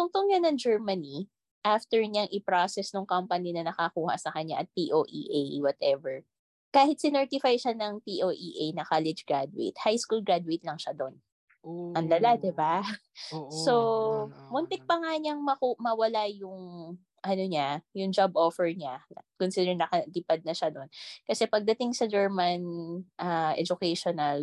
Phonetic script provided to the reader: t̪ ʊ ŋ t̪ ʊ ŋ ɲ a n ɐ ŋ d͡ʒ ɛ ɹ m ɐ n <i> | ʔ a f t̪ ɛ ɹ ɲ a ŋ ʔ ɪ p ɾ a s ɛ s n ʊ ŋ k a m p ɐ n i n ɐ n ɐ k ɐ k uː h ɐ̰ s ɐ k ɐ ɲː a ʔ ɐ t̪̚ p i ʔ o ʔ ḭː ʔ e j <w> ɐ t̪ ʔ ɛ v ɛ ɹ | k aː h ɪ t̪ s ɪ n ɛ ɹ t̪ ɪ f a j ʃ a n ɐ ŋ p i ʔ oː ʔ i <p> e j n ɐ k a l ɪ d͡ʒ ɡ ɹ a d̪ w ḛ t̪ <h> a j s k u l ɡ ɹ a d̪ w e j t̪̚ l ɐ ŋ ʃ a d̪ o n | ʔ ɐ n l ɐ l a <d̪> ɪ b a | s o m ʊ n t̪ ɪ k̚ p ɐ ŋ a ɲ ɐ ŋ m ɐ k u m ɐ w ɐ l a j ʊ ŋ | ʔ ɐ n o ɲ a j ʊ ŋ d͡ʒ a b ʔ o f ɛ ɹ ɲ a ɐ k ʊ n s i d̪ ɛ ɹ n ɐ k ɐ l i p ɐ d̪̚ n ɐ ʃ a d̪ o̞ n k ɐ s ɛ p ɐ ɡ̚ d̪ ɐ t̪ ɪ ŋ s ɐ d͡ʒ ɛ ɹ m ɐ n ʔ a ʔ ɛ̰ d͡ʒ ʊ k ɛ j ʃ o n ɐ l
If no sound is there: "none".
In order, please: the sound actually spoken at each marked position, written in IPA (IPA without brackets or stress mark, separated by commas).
i, w, ʔ, h, d̪